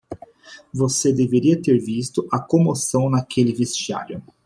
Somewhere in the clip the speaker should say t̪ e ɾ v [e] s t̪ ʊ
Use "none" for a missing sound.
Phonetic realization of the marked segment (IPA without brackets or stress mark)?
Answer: i